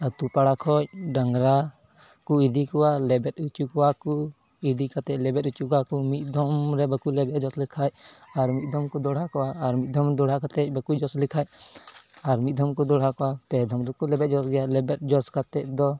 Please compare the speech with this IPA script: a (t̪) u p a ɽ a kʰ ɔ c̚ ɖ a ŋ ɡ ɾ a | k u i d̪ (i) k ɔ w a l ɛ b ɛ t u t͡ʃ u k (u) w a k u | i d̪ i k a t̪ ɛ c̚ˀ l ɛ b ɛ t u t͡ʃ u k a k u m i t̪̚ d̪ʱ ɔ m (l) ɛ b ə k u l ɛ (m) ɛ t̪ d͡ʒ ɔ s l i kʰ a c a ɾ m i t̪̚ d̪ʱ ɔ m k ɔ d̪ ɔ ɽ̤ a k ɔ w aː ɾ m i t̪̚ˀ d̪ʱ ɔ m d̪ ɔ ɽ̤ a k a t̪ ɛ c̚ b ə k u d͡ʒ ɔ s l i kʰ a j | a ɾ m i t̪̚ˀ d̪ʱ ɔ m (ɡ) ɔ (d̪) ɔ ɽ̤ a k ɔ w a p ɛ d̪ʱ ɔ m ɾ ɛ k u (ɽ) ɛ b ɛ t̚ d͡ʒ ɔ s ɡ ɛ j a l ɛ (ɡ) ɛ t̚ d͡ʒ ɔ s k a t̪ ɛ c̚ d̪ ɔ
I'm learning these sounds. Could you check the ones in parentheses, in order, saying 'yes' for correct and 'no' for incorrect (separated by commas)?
yes, yes, no, no, no, no, yes, no, no